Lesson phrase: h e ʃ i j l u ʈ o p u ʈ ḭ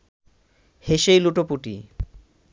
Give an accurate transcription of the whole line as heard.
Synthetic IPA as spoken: h e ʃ e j l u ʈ o p u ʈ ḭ